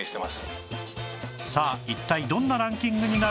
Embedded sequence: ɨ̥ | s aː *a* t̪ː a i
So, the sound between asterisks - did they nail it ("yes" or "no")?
no